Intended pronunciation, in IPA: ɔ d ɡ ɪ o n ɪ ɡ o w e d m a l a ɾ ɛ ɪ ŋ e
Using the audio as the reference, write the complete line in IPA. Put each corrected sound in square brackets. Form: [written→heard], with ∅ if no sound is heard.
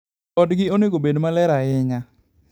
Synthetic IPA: ɔ d ɡ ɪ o n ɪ ɡ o [w→b] e d m a l [a→ɛ] ɾ [ɛ→a] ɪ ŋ [e→a]